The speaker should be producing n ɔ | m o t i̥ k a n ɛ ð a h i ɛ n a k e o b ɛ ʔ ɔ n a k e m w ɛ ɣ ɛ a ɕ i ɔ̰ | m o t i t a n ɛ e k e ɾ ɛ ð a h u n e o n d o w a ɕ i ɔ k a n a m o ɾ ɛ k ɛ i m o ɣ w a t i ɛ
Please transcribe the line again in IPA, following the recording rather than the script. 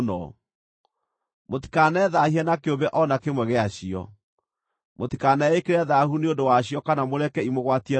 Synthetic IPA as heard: n ɔ | m o t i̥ k a n ɛ ð a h i ɛ n a k e o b ɛ ʔ ɔ n a k e m w ɛ ɣ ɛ a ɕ i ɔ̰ | m o t i k a n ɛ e k e ɾ ɛ ð a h u n e o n d o w a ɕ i ɔ k a n a m o ɾ ɛ k ɛ i m o ɣ w a t i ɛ